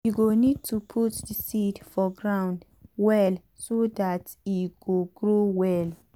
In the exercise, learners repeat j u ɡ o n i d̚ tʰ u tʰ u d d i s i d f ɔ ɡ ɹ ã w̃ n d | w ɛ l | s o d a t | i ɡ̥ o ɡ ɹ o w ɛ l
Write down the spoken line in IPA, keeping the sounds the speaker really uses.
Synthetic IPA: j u ɡ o n i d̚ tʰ u pʰ u t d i s i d f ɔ ɡ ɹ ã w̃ n d | w ɛ l | s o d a t | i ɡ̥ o ɡ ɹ o w ɛ l